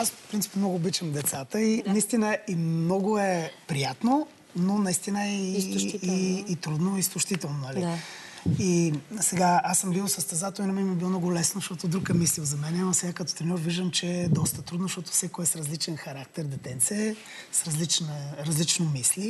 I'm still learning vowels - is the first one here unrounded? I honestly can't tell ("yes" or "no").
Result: yes